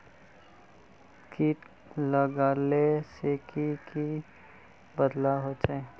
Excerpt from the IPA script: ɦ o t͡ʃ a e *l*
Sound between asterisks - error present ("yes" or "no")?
yes